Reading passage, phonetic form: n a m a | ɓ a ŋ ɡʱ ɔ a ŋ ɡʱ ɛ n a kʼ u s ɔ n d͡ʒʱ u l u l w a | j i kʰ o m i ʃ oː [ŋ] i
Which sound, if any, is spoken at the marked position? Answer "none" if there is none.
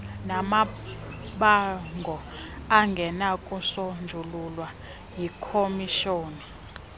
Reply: n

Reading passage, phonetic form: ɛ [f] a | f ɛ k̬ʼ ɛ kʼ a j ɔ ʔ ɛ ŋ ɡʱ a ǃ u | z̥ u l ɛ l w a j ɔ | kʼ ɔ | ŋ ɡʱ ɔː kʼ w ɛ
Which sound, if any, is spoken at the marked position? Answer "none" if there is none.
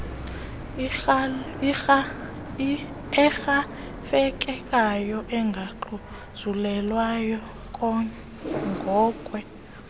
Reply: x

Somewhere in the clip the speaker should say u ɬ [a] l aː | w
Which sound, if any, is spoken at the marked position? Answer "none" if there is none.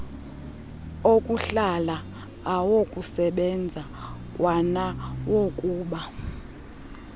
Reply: a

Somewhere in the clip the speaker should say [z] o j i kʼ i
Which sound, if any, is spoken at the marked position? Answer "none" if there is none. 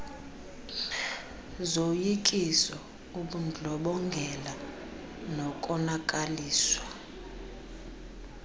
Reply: z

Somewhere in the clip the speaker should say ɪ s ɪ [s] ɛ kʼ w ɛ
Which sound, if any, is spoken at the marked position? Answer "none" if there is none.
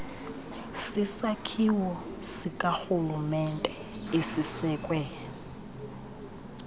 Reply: s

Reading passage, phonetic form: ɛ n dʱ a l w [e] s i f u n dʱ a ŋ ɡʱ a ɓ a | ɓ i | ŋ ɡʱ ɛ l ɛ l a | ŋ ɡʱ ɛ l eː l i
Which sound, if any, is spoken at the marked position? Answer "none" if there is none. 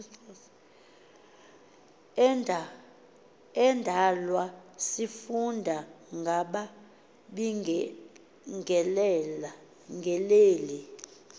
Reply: a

